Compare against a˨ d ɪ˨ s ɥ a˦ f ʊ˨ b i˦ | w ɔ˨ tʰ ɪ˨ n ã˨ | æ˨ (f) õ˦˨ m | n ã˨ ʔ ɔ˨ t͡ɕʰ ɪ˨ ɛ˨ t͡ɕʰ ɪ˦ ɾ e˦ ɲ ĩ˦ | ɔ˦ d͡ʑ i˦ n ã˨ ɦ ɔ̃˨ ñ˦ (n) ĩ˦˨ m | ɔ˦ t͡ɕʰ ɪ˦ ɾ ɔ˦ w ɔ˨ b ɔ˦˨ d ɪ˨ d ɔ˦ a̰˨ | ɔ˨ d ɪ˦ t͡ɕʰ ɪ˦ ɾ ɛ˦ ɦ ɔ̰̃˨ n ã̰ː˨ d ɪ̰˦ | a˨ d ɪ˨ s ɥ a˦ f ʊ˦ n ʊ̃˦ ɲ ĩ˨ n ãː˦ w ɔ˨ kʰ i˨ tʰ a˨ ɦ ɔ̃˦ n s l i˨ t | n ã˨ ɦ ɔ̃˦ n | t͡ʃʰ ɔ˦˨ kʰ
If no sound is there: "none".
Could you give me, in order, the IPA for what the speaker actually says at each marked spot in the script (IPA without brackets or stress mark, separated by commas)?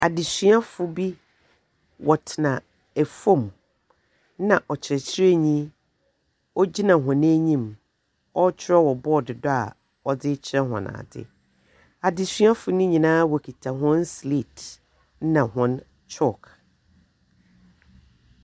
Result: f, ɲ